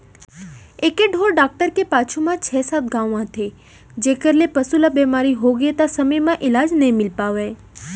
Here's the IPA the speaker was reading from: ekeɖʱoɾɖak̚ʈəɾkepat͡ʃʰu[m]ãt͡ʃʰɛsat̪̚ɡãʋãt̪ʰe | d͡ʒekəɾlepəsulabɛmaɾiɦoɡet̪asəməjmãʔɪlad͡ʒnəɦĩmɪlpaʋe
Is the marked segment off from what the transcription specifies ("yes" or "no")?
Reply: no